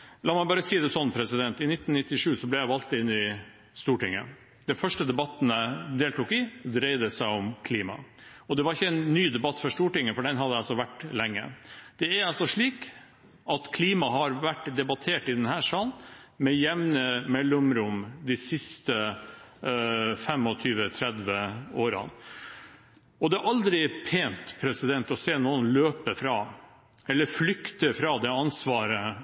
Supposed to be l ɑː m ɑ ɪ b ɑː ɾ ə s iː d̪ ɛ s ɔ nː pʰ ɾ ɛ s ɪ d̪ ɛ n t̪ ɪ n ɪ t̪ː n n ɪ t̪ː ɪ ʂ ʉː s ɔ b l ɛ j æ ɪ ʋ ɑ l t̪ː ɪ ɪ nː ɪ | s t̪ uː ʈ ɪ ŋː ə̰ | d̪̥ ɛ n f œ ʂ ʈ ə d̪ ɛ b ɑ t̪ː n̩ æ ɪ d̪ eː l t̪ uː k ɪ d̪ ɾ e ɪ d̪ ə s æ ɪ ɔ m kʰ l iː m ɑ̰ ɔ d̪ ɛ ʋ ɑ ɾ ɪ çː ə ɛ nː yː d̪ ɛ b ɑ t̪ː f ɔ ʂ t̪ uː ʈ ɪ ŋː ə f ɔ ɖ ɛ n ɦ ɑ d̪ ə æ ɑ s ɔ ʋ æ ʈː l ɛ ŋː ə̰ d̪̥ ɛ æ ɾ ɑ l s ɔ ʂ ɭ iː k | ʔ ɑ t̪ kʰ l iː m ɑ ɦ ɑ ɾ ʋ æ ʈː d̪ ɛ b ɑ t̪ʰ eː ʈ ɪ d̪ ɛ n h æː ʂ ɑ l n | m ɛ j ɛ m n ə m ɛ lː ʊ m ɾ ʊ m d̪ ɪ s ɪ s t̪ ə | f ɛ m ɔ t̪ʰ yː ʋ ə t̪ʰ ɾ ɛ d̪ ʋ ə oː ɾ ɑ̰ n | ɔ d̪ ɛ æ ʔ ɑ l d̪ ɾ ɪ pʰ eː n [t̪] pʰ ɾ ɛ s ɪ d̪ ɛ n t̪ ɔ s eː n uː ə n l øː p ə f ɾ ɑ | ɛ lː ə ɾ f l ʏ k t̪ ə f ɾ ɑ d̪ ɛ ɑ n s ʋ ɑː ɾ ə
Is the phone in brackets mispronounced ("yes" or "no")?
no